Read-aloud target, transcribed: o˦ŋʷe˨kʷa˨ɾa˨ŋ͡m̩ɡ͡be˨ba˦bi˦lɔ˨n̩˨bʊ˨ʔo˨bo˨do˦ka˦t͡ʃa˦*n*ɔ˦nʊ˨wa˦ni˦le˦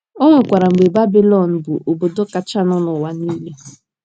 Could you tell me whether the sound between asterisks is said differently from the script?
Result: no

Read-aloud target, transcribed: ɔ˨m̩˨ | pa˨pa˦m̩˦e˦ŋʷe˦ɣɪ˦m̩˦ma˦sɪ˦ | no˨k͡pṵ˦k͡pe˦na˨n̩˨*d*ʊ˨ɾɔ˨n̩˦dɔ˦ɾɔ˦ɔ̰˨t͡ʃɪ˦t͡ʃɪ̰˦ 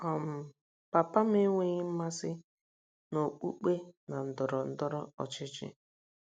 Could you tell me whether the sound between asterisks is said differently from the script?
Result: no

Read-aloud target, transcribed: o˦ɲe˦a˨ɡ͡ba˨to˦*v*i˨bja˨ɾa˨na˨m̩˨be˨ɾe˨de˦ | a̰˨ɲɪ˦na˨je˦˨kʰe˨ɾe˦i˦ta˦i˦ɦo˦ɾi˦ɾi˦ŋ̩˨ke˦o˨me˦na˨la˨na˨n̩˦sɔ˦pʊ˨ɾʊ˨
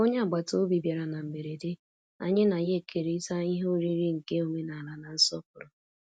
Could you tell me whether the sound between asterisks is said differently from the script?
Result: yes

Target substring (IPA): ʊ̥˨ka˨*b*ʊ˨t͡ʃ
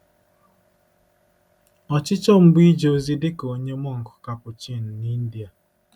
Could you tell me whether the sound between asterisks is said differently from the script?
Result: yes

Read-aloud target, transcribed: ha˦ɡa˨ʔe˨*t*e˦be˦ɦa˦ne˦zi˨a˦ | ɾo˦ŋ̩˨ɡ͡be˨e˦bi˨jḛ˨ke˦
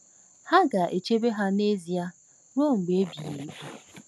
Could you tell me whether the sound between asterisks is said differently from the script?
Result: yes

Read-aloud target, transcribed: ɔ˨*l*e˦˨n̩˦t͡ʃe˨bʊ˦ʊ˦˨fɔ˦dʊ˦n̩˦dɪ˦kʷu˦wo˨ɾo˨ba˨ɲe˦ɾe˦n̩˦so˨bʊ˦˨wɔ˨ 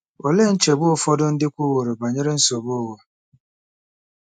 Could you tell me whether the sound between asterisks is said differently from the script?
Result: no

